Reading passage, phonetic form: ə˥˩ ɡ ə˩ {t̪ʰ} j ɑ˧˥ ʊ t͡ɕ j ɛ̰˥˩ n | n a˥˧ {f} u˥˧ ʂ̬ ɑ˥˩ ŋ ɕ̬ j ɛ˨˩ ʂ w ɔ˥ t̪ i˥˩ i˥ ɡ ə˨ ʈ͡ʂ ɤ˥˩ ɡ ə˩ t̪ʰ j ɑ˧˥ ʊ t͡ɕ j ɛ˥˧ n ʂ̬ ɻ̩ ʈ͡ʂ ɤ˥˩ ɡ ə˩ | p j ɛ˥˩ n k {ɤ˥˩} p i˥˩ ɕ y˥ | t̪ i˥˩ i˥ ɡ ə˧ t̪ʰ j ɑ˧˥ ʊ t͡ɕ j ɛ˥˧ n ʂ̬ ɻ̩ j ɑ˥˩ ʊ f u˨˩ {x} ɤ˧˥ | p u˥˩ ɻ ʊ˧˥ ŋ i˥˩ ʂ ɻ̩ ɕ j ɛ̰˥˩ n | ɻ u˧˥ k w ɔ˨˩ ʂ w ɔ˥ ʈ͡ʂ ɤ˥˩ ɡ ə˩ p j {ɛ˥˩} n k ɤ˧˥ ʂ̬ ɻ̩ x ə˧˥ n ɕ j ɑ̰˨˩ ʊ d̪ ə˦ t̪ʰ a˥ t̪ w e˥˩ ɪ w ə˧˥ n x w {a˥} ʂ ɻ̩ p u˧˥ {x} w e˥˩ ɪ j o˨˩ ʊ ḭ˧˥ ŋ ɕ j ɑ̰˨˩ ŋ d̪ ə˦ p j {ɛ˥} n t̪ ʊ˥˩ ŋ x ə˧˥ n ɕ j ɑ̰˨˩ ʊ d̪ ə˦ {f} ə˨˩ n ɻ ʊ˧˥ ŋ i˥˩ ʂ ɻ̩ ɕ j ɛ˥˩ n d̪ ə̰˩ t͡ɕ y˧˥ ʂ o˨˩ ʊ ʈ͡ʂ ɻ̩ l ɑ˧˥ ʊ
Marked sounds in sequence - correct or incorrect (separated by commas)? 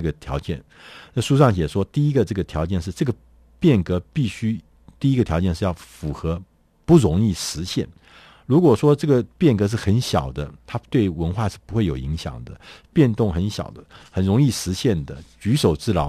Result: correct, incorrect, incorrect, correct, correct, incorrect, correct, incorrect, incorrect